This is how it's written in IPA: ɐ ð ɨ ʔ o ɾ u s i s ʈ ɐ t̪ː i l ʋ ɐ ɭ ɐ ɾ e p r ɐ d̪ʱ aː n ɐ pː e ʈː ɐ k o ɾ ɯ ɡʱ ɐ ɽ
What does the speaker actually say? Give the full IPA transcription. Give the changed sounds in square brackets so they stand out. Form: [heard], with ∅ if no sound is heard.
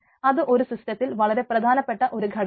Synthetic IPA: ɐ ð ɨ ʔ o ɾ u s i s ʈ ɐ t̪ː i l ʋ ɐ ɭ ɐ ɾ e p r ɐ d̪ʱ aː n ɐ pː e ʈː ɐ [ʔ] o ɾ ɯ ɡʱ ɐ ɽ